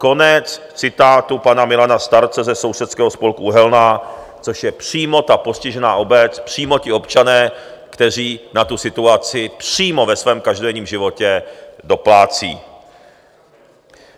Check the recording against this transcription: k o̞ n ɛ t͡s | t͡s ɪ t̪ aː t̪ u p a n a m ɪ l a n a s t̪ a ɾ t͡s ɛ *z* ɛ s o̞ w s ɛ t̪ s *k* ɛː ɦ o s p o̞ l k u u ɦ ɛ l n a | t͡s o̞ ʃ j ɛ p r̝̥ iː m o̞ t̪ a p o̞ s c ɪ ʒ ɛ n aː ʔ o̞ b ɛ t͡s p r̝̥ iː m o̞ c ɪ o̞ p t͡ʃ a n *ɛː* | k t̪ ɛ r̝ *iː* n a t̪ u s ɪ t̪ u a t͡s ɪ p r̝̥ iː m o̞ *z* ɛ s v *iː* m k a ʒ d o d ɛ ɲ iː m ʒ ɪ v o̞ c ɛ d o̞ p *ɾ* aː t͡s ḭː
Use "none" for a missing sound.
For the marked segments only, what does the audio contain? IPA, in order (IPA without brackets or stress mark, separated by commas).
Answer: z, k, ɛː, iː, v, ɛː, l